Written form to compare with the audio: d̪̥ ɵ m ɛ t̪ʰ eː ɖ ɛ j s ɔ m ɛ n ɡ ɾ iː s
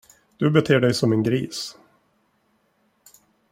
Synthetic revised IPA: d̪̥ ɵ b ɛ t̪ʰ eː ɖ ɛ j s ɔ m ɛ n ɡ ɾ iː s